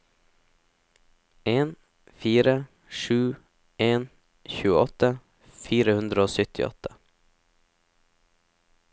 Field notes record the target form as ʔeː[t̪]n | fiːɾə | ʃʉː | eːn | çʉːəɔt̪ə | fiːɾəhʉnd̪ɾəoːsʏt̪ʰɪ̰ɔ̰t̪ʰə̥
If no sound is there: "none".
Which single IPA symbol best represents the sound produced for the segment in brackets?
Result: none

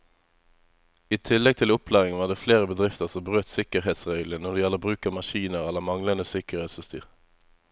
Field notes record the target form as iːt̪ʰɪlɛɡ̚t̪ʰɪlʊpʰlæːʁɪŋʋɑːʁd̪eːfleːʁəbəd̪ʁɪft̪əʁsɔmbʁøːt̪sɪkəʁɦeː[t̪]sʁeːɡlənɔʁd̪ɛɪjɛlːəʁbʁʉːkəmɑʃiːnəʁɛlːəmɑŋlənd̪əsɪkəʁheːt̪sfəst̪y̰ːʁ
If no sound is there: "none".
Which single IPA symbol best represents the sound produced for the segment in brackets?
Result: t̪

